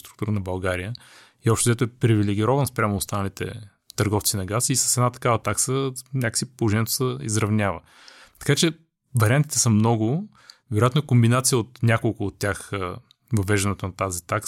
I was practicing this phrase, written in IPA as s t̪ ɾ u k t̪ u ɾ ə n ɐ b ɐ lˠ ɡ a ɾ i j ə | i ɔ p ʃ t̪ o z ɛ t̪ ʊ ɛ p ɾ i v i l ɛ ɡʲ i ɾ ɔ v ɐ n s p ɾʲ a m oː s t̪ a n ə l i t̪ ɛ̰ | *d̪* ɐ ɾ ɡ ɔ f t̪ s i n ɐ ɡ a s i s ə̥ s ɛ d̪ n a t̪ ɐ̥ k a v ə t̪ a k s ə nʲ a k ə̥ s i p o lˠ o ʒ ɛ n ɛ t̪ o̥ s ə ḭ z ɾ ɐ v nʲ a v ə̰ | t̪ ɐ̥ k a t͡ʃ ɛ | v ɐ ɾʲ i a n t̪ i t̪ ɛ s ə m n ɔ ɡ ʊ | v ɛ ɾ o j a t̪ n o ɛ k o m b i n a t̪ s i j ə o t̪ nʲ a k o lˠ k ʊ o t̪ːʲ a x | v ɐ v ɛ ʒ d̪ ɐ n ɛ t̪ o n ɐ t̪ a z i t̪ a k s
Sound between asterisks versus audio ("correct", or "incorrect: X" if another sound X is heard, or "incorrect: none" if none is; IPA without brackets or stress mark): incorrect: t̪